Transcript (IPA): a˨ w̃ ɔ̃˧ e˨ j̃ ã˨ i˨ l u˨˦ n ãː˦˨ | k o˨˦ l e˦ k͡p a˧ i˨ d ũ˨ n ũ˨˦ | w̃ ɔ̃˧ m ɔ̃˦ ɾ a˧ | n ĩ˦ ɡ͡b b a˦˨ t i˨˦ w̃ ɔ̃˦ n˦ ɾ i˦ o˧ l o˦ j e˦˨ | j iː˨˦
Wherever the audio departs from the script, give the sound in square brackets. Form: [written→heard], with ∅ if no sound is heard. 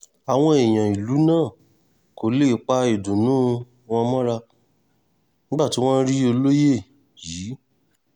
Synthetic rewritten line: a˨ w̃ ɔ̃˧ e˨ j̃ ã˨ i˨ l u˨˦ n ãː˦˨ | k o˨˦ l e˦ k͡p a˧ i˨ d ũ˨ n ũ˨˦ | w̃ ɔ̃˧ m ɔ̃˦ ɾ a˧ | n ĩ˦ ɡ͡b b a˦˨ t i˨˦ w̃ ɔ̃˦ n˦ ɾ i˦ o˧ l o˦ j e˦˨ | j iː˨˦